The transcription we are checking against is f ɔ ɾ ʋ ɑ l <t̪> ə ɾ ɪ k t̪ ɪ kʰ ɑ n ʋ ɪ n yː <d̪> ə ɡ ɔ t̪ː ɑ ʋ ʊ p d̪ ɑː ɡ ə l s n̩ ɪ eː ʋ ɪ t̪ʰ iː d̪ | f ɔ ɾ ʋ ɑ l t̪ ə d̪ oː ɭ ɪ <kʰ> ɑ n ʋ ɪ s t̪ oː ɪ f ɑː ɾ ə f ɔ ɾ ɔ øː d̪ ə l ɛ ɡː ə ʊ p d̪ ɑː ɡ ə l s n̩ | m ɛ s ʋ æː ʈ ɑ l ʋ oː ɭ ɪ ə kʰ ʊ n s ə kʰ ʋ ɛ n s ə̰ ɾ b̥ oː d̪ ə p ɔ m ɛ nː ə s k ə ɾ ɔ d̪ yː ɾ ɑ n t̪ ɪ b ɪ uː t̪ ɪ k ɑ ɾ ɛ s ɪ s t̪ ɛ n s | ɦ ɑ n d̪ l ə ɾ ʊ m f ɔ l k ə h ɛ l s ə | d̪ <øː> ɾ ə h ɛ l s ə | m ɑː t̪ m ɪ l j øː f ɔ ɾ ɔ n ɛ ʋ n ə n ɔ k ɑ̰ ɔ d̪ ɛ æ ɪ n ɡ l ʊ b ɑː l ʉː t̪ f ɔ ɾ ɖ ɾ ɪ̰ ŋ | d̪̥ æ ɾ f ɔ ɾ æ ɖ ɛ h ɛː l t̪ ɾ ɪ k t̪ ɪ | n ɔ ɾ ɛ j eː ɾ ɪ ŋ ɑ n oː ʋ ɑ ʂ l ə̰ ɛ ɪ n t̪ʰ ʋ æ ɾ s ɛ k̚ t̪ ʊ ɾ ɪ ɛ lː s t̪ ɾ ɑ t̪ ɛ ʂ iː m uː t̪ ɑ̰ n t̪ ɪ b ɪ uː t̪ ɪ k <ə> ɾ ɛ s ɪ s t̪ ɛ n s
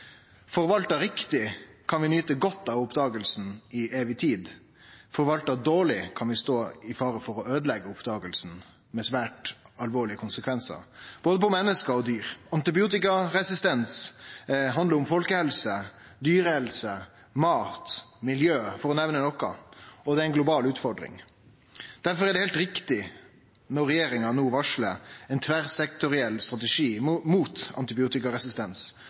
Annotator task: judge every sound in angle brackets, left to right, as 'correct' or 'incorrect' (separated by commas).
correct, incorrect, correct, incorrect, incorrect